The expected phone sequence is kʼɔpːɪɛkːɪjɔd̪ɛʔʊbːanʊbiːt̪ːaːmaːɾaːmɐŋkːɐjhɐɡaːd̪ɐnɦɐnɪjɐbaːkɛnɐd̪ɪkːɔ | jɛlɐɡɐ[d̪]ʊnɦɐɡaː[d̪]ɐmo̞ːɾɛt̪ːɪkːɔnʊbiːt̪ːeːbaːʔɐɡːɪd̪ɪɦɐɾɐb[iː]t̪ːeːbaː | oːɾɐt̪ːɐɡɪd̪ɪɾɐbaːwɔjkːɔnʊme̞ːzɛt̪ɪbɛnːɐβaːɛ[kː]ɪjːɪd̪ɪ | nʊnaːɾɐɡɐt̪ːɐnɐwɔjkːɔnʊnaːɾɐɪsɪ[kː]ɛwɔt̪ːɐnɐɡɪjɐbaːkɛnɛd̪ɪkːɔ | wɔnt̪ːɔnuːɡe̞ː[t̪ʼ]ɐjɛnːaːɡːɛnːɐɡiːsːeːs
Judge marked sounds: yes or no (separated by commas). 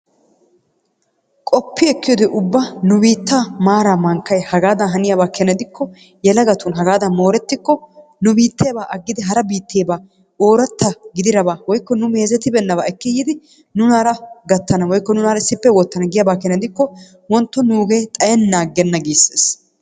no, yes, yes, yes, no, yes